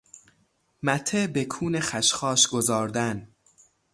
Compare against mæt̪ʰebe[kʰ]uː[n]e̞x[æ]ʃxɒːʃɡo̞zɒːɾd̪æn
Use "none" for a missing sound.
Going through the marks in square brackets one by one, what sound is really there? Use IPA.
kʰ, n, æ

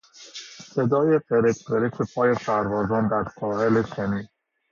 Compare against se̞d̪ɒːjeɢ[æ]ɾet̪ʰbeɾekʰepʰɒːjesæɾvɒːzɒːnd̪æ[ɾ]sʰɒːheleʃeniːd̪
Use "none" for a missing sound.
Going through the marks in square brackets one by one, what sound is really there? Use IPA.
e, ɾ

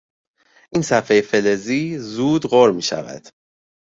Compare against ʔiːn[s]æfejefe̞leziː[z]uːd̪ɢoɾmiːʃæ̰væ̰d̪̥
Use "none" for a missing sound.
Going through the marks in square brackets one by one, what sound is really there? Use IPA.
s, z

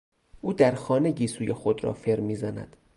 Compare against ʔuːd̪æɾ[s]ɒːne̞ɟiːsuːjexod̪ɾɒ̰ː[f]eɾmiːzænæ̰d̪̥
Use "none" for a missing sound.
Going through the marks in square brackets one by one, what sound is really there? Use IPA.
x, f

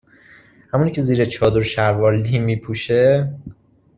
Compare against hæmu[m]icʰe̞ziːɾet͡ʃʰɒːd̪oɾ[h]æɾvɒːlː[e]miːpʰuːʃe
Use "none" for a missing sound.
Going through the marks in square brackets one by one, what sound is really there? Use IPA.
n, ʃ, i

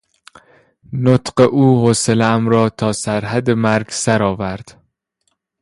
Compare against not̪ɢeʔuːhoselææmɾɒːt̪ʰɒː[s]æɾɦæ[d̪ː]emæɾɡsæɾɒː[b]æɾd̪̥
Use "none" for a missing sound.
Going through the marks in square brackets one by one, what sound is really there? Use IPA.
s, d̪, v

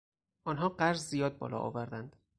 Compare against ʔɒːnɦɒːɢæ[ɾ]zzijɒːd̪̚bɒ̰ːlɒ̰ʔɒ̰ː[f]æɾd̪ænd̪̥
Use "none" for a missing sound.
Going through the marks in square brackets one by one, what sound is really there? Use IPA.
ɾ, v

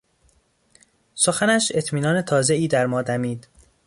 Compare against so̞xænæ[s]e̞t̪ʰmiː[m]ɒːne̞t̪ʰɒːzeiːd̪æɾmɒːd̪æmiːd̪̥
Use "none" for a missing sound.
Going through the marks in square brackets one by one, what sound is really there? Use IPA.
ʃ, n

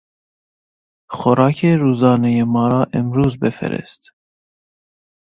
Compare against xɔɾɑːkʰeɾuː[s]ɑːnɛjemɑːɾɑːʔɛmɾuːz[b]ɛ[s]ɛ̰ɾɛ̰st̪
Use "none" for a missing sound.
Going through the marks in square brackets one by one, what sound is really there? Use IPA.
z, b, f

